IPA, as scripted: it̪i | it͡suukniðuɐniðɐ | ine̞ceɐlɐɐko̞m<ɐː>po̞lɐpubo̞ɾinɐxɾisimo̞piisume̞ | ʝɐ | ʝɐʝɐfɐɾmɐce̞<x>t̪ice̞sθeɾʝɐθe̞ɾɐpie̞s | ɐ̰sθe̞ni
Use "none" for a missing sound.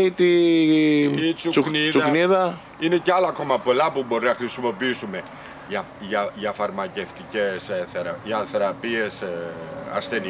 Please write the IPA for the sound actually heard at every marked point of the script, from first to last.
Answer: ɐ, f

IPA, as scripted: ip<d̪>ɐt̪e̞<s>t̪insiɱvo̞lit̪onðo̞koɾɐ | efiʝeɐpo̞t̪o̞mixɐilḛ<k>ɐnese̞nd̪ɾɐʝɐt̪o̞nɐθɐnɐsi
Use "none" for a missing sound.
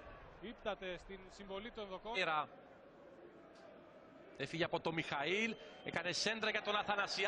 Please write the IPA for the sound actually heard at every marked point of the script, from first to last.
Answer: t̪, s, k

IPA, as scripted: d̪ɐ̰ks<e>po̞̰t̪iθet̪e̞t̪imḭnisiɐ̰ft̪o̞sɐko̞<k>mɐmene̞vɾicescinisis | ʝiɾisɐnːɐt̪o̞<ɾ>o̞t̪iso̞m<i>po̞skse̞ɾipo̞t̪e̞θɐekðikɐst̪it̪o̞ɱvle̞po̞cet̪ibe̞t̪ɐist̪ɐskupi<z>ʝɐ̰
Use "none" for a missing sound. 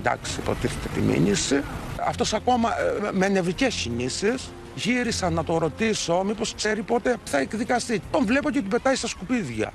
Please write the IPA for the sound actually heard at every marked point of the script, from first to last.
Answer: i, none, ɾ, i, ð

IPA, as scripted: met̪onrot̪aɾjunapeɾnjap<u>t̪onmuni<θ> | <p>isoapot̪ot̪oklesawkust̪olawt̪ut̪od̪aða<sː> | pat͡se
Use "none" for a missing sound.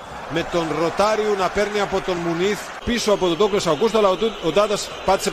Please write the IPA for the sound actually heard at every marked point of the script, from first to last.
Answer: o, θ, p, s

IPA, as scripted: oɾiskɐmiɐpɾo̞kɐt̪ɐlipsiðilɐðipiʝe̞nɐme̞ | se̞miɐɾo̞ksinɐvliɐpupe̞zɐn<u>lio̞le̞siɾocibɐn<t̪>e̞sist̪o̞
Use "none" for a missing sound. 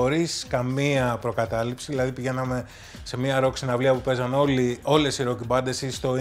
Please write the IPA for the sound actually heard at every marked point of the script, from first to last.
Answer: o, d̪

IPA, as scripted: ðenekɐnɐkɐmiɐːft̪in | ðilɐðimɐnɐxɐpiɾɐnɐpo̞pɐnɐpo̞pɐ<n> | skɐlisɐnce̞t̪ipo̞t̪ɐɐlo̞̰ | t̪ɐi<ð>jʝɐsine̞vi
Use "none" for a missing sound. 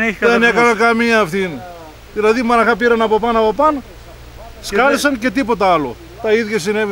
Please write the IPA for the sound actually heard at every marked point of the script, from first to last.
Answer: n, ð

